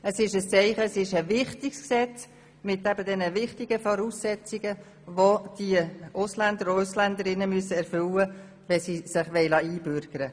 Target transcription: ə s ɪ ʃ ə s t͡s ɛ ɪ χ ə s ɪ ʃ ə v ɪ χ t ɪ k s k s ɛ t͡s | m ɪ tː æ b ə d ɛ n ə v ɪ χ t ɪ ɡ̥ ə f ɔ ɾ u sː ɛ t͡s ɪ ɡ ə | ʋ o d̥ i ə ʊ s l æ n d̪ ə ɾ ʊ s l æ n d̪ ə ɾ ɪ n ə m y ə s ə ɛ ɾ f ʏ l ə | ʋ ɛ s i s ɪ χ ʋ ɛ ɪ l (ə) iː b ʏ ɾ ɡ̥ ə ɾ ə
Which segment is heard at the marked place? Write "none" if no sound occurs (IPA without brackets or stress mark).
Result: ɑ